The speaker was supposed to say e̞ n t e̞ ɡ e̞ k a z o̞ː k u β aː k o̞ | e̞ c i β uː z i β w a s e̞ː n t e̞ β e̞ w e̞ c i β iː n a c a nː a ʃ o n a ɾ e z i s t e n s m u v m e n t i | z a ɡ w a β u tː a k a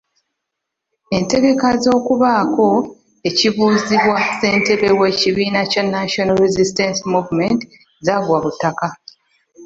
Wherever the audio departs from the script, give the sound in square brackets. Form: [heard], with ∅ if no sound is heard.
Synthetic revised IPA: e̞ n t e̞ ɡ e̞ k a z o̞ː k u β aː k o̞ | e̞ c i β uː z i β w a s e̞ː n t e̞ β e̞ w e̞ c i β iː n a c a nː a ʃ o n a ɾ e z i s t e n s m u v m e n t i | z a ɡ w a β u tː a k a